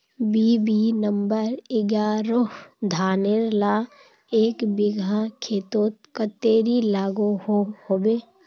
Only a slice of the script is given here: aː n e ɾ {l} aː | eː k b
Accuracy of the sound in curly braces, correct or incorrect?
correct